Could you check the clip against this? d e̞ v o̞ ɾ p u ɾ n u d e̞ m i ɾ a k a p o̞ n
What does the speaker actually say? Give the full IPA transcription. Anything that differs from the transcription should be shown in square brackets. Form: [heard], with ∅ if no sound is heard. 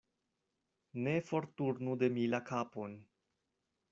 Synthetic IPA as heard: [n] e̞ [f] o̞ ɾ [t] u ɾ n u d e̞ m i [l] a k a p o̞ n